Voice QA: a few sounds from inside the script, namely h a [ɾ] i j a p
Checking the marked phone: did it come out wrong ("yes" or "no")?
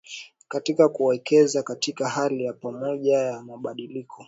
yes